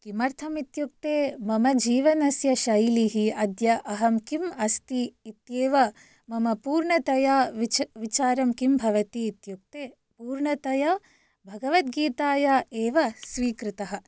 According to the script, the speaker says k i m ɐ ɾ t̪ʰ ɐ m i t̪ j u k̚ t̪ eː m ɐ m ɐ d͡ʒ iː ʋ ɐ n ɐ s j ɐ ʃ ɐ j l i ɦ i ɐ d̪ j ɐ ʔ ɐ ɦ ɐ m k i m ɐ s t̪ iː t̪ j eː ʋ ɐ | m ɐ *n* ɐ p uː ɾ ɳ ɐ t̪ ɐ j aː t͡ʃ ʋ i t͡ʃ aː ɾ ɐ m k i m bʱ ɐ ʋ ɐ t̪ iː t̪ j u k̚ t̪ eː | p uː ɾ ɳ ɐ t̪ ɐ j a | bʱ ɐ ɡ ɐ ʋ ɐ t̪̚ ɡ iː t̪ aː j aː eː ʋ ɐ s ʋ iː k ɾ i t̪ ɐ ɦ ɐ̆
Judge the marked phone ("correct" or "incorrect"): incorrect